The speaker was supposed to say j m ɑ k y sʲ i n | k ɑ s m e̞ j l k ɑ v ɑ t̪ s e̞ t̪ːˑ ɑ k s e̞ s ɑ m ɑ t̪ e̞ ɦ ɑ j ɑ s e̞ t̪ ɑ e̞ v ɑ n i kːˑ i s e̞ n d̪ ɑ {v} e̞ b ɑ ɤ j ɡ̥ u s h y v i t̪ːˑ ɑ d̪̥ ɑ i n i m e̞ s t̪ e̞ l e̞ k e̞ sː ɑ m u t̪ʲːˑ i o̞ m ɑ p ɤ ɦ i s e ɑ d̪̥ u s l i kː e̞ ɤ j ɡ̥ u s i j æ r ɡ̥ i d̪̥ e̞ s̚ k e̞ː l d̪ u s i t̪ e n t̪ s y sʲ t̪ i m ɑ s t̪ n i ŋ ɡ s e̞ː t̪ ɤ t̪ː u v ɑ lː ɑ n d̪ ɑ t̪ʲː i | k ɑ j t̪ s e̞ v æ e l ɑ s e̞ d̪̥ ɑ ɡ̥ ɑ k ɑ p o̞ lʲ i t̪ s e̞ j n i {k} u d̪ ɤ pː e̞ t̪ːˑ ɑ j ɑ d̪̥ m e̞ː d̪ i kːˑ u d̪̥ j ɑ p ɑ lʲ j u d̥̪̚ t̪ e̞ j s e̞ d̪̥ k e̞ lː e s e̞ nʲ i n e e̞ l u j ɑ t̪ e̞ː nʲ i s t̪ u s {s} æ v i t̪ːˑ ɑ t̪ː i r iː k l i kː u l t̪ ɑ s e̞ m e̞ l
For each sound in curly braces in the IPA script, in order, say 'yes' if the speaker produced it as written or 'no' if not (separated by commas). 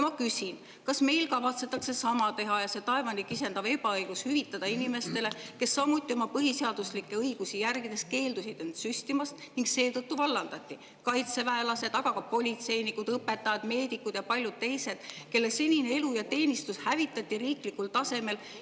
yes, yes, no